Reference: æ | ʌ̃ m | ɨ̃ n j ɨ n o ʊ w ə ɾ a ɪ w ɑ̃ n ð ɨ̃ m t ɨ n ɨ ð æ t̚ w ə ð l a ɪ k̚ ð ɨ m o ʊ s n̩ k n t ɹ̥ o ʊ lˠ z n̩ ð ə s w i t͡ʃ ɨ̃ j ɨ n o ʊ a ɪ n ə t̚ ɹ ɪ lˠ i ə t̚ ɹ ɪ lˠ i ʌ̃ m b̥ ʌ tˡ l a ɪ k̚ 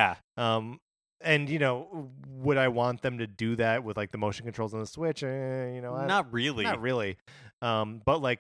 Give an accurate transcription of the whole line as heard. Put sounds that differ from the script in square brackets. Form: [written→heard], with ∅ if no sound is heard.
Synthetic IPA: æ | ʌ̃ m | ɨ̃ n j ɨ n o ʊ w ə ɾ a ɪ w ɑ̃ n ð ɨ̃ m t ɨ [n→d] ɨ ð æ t̚ w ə ð l a ɪ k̚ ð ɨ m o ʊ [s→ʃ] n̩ k n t ɹ̥ o ʊ lˠ z n̩ ð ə s w [i→ɪ] t͡ʃ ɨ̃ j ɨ n o ʊ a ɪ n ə t̚ ɹ ɪ lˠ i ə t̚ ɹ ɪ lˠ i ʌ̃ m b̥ ʌ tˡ l a ɪ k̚